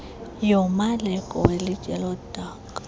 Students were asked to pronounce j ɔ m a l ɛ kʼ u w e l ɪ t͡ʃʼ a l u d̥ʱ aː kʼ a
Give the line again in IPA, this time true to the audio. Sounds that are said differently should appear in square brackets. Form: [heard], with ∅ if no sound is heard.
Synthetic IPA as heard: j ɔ m a l ɛ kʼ [ɔ] w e l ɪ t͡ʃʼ [ɛ] l [ɔ] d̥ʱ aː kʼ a